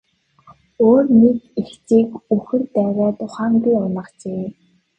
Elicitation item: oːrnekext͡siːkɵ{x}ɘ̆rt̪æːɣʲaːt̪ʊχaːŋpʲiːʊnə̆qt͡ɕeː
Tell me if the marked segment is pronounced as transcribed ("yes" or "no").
yes